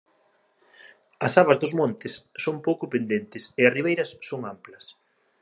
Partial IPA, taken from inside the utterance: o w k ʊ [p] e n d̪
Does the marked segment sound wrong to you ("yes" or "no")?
no